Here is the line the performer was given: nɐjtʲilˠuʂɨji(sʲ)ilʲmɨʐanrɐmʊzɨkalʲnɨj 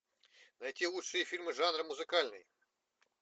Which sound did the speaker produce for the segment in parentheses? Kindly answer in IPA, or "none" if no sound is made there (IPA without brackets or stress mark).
fʲ